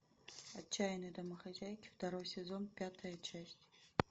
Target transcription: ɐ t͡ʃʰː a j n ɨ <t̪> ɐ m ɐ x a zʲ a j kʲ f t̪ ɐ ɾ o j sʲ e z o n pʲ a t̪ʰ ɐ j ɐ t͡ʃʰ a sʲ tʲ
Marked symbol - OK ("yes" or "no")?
no